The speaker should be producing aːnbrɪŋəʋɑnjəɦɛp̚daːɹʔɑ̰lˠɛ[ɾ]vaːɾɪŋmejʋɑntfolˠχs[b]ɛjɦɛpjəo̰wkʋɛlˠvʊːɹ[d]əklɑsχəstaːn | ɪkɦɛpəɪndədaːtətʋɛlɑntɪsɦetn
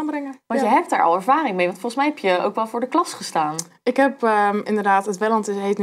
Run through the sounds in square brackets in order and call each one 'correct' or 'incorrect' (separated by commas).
incorrect, incorrect, correct